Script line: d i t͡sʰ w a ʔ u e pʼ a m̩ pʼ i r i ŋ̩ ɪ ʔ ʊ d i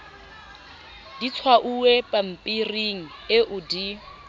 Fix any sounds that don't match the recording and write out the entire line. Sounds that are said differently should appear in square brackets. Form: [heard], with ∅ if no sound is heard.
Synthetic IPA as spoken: d i t͡sʰ w a ʔ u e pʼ a m̩ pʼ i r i ŋ̩ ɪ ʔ ʊ d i